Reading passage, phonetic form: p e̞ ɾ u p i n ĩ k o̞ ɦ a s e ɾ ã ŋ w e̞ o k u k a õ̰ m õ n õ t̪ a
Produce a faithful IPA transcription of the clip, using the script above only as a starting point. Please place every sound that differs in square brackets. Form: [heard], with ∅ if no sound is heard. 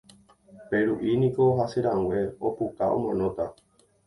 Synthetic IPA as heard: p e̞ ɾ u [ʔ] i n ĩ k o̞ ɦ a s e ɾ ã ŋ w e̞ o [p] u k a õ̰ m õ n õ t̪ a